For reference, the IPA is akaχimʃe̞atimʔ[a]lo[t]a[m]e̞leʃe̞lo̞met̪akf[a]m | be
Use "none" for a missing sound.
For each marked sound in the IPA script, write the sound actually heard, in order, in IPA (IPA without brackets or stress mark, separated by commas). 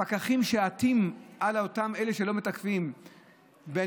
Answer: a, t, m, i